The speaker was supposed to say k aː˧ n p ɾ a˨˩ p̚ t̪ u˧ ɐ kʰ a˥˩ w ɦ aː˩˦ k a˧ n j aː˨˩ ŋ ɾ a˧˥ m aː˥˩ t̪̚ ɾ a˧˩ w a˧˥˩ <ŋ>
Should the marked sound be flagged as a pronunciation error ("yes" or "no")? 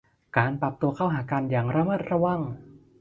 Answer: no